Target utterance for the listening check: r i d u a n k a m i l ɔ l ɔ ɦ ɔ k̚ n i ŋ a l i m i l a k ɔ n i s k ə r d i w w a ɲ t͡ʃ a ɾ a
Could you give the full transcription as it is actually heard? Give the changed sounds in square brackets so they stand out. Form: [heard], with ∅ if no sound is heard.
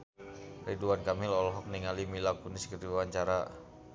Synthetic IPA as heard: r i d u a n k a m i l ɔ l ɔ ɦ ɔ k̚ n i ŋ a l i m i l a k [u] n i s k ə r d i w w a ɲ t͡ʃ a ɾ a